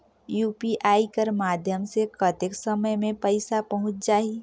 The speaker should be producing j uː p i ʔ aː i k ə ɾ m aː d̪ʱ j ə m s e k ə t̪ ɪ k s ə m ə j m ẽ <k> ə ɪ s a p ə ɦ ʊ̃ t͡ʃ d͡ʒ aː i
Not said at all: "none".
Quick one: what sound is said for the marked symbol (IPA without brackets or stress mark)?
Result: p